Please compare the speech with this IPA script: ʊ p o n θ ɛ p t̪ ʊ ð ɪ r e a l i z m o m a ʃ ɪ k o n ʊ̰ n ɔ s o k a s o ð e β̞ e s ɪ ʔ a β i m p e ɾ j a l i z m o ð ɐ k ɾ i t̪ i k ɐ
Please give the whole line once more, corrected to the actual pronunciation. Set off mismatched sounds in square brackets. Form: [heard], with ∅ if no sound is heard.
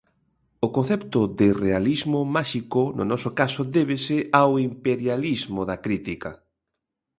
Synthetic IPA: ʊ [k] o n θ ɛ p t̪ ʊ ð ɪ r e a l i z m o m a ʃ [i] k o n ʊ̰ n ɔ s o k a s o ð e β̞ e s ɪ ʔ a [w] i m p e ɾ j a l i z m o ð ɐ k ɾ i t̪ i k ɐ